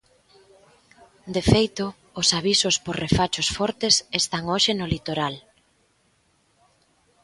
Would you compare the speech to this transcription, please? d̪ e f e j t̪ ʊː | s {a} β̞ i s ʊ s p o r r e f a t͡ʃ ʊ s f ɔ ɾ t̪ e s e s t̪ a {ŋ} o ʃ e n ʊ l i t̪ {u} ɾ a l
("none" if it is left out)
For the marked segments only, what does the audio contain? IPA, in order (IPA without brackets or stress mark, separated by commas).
a, ŋ, o